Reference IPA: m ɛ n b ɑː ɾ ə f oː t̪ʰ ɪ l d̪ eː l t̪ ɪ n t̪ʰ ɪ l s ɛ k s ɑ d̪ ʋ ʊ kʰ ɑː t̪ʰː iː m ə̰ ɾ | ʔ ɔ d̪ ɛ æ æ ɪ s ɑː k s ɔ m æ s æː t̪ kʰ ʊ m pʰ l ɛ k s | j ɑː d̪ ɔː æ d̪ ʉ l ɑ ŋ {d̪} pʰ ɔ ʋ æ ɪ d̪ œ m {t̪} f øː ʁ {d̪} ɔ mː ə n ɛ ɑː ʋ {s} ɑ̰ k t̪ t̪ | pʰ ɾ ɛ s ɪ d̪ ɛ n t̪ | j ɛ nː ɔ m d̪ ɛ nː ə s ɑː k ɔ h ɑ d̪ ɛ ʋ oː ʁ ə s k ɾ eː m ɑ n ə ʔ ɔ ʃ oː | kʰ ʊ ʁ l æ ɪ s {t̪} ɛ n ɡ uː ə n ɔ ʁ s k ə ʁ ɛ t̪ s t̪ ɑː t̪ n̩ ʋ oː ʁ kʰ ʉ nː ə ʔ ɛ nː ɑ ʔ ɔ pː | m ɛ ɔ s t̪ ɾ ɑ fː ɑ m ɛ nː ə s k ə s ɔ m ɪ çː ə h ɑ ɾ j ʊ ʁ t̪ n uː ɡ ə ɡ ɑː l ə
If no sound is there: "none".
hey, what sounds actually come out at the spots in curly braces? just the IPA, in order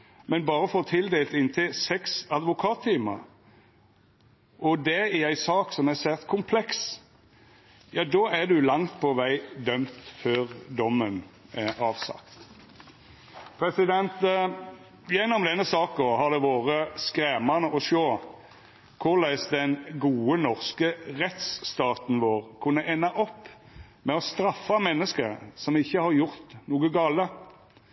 t̪, t̪, d̪, s, d̪

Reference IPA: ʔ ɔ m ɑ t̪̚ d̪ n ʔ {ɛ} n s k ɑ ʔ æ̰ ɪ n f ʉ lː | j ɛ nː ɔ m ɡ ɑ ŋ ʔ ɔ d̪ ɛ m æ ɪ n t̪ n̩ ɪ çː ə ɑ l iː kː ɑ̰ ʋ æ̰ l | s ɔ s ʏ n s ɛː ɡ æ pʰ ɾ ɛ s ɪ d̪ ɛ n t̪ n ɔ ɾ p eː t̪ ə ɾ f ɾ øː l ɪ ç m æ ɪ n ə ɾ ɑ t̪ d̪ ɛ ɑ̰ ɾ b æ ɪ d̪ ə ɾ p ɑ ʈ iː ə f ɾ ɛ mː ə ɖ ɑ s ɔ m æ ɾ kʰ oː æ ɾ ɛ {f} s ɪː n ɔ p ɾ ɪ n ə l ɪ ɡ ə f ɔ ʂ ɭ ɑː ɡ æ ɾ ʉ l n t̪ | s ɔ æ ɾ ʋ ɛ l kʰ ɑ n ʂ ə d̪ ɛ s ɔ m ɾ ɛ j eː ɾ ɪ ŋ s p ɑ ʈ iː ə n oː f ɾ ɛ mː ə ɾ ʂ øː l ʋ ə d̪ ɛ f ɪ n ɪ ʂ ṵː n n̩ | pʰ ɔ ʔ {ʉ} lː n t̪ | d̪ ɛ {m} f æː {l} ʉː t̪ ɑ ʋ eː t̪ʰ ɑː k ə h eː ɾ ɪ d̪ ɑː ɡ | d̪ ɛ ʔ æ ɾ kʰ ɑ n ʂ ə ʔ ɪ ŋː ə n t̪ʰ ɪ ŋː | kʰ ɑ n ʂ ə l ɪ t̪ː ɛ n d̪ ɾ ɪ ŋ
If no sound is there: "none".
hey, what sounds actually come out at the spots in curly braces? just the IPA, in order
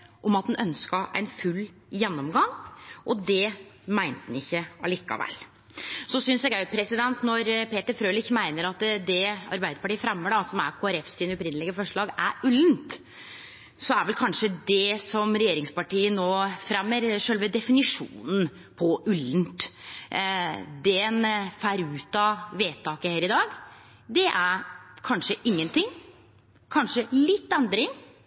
œ, f, ʉ, n, ɾ

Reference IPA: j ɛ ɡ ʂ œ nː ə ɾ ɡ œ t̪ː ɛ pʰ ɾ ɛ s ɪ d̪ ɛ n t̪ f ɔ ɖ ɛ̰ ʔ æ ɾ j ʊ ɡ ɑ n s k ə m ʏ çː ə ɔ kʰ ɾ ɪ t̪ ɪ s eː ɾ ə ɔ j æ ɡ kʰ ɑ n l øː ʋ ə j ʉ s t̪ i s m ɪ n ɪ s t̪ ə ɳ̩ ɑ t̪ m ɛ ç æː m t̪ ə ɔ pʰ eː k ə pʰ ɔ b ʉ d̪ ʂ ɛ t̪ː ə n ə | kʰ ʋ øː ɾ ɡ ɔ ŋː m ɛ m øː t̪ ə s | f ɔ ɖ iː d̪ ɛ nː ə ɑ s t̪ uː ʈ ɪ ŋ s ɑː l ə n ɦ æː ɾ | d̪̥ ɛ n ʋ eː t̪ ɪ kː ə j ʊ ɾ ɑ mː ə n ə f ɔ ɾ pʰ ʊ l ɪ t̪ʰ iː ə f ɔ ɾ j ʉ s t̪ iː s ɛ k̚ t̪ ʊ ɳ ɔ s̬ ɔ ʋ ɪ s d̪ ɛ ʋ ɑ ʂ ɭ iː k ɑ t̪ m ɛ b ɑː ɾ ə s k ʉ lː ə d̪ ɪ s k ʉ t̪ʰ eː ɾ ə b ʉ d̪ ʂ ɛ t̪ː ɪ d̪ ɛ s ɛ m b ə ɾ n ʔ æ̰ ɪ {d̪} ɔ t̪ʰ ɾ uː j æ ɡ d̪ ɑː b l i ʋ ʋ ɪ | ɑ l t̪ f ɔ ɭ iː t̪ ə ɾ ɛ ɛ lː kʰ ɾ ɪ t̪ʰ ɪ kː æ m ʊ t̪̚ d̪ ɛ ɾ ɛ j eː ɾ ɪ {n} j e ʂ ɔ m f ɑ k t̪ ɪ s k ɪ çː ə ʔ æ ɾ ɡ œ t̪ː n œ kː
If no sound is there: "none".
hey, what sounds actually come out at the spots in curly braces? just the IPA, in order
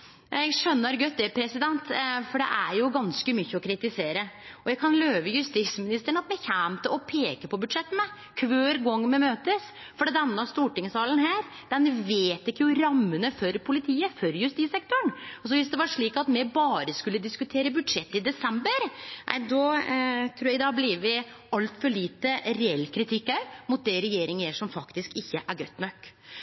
d̪, ŋ

